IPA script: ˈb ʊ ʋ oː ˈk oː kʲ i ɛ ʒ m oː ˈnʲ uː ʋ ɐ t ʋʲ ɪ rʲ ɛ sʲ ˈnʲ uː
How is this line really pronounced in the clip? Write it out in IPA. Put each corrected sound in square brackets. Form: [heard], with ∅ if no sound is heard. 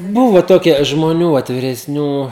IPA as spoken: ˈb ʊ ʋ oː [ˈt] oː kʲ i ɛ ʒ m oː ˈnʲ uː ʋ ɐ t ʋʲ ɪ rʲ ɛ sʲ ˈnʲ uː